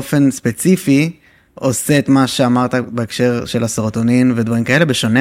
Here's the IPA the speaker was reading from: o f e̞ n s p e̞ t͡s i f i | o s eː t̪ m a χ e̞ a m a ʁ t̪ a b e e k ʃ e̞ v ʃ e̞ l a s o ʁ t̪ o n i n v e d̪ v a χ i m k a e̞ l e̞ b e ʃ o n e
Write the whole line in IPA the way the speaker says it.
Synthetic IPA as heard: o f e̞ n s p e̞ t͡s i f i | o s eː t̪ m a ʃ e̞ a m a ʁ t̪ a b e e k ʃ e̞ ʁ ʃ e̞ l a s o ʁ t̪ o n i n v e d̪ v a ʁ i m k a e̞ l e̞ b e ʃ o n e